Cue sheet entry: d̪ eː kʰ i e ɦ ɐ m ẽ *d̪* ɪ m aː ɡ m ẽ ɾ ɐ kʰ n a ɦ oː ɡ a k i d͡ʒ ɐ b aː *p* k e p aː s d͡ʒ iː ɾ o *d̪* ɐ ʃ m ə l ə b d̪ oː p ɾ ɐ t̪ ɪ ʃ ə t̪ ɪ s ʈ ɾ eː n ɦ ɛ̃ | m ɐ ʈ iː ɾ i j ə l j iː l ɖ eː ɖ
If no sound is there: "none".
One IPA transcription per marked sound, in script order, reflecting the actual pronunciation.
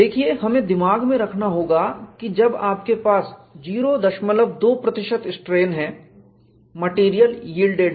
d̪, p, d̪

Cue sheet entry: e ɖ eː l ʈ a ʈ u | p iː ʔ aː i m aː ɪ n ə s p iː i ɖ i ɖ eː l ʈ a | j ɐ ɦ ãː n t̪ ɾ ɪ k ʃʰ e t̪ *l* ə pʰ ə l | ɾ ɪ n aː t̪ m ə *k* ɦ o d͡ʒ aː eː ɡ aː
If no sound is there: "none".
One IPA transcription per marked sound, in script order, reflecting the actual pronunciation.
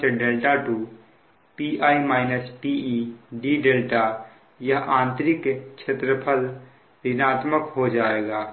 ɾ, k

